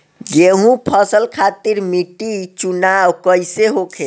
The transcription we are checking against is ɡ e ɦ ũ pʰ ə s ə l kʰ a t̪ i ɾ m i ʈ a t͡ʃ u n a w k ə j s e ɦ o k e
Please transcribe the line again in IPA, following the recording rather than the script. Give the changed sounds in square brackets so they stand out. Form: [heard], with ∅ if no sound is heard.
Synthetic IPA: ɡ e ɦ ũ pʰ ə s ə l kʰ a t̪ i ɾ m i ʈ [i] t͡ʃ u n a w k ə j s e ɦ o [kʰ] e